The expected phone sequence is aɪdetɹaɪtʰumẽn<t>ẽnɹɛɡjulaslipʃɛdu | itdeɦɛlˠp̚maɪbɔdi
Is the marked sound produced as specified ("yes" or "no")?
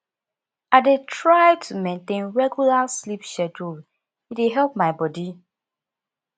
yes